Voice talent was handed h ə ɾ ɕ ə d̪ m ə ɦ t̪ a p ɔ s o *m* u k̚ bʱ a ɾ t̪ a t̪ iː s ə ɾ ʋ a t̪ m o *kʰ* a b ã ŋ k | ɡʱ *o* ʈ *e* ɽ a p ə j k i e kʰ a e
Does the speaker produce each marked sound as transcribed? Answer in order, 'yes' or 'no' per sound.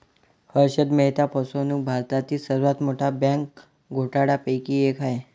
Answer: no, no, yes, no

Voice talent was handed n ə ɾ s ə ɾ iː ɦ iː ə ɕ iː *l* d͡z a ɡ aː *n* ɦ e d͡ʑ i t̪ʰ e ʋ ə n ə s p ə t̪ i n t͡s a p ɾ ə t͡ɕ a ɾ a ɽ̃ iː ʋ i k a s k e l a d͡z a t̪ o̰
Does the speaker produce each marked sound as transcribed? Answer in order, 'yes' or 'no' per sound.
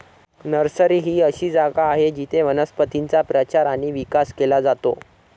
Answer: no, no

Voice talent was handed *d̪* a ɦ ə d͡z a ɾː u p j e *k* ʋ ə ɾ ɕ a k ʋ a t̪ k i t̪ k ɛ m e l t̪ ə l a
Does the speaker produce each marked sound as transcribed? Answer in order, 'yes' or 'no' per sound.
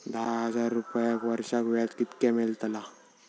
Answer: yes, yes

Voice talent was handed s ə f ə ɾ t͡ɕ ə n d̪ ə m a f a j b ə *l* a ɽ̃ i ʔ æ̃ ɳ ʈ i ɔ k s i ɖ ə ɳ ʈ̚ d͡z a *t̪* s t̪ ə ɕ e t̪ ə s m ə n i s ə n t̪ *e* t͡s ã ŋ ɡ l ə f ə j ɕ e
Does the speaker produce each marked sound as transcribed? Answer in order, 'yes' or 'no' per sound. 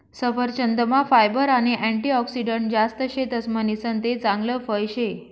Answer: no, no, yes

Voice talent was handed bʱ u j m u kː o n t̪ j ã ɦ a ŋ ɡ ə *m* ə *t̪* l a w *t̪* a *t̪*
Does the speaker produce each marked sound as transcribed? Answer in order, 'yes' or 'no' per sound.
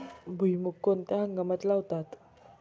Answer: yes, yes, yes, yes

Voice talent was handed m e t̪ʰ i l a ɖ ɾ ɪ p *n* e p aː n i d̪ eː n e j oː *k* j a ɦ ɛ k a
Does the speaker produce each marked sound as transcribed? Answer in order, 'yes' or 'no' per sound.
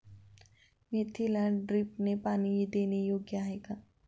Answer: yes, no

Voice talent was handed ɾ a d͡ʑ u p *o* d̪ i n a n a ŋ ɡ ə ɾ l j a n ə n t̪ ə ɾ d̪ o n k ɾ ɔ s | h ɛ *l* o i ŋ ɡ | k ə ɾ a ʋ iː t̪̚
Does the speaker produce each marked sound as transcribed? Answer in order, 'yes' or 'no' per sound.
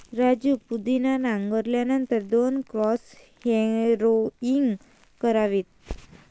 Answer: no, no

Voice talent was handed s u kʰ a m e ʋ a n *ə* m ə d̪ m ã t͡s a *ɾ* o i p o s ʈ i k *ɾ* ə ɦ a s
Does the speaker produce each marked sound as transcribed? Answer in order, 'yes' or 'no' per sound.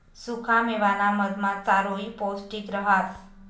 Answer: no, yes, yes

